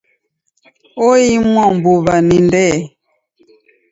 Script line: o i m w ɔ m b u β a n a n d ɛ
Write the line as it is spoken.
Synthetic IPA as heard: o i m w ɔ m b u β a n i n d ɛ

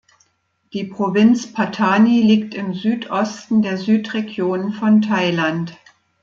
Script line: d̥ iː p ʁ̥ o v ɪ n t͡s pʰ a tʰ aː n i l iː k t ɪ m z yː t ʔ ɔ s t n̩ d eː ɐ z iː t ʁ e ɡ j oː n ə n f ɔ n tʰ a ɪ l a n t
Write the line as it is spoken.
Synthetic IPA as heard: d̥ iː p ʁ̥ o v ɪ n t͡s pʰ a tʰ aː n i l iː k t ɪ m z yː t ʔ ɔ s t n̩ d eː ɐ z yː t ʁ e ɡ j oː n ə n f ɔ n tʰ a ɪ l a n t

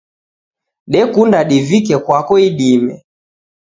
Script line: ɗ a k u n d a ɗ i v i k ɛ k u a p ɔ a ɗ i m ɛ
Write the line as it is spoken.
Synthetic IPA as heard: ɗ ɛ k u n d a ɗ i v i k ɛ k w a k ɔ i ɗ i m ɛ

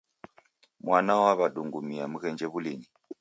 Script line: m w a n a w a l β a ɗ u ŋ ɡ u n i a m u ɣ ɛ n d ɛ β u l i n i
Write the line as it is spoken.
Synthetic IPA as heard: m w a n a w a β a ɗ u ŋ ɡ u m i a m u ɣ ɛ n d͡ʒ ɛ β u l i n i

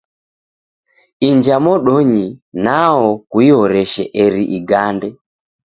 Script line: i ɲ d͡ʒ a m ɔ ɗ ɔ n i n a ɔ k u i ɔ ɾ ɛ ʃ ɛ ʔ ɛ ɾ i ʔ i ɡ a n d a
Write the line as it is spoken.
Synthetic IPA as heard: i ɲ d͡ʒ a m ɔ ɗ ɔ ɲ i n a ɔ k u i ɔ ɾ ɛ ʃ ɛ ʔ ɛ ɾ i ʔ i ɡ a n d ɛ

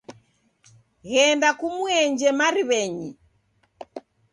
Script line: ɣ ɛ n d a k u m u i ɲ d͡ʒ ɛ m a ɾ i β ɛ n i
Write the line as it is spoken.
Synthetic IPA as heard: ɣ ɛ n d a k u m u ɛ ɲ d͡ʒ ɛ m a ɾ i β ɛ ɲ i

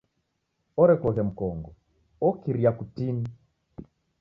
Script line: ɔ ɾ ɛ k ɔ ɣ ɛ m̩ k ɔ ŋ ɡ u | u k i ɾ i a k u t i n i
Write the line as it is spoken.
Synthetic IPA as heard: ɔ ɾ ɛ k ɔ ɣ ɛ m̩ k ɔ ŋ ɡ ɔ | ɔ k i ɾ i a k u t i n i

